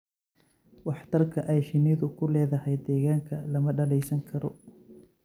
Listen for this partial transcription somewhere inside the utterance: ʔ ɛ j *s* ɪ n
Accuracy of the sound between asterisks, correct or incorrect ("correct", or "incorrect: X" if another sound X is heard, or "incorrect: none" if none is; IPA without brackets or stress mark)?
incorrect: ʃ